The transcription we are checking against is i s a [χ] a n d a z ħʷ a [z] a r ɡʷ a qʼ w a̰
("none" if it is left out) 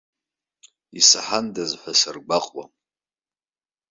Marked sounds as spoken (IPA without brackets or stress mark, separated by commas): ħ, s